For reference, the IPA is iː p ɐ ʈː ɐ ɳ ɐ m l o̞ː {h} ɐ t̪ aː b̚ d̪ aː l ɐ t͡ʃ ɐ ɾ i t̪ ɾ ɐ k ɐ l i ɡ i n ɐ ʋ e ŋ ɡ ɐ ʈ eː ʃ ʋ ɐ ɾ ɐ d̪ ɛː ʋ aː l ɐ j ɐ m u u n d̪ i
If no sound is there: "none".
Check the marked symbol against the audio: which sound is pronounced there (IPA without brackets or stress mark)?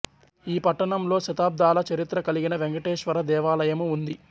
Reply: ʃ